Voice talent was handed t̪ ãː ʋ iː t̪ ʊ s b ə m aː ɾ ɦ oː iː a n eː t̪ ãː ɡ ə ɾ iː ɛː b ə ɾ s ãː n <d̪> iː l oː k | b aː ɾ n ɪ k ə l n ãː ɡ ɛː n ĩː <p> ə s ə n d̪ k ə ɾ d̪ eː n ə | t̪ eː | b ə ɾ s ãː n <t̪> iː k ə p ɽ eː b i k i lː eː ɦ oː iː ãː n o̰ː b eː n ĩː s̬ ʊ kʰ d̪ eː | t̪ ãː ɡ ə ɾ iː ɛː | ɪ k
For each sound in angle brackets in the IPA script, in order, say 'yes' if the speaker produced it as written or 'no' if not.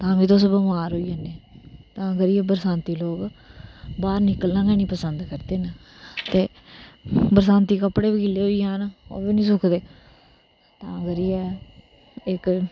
no, yes, yes

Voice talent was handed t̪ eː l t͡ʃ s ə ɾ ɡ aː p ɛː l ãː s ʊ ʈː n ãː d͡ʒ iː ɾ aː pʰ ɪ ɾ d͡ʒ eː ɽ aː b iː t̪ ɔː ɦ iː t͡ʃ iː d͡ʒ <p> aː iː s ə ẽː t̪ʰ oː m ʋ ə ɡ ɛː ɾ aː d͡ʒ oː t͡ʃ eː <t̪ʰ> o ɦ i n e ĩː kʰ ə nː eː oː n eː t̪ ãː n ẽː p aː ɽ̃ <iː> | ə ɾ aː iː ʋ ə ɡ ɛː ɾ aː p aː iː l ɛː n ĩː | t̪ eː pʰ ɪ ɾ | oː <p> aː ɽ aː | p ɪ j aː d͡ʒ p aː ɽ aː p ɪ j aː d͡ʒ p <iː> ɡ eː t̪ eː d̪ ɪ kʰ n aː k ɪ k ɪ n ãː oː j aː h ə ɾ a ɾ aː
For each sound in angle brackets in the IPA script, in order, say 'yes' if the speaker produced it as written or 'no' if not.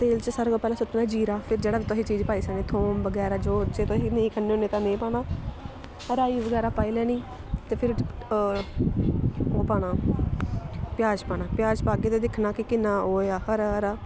yes, no, no, yes, no

